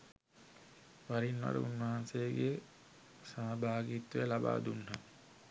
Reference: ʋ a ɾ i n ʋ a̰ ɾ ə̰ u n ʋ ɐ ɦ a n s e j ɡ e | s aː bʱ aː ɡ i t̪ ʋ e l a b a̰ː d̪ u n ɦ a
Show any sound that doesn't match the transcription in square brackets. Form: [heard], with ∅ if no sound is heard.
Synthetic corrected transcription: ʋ a ɾ i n ʋ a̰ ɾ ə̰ u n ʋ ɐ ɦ a n s e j ɡ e | s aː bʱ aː ɡ i t̪ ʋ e l a b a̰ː d̪ u n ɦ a